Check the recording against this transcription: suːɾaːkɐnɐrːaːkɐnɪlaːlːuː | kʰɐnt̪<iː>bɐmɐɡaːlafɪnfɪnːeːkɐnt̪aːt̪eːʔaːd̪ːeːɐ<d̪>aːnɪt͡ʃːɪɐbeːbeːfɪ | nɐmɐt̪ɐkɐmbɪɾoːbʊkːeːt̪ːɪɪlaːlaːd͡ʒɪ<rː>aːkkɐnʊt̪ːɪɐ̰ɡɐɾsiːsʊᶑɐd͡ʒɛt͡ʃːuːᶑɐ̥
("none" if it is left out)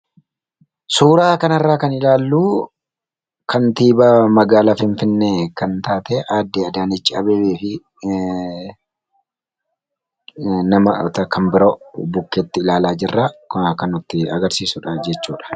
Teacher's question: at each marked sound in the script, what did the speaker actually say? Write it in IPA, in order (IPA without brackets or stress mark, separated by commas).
iː, d̪, rː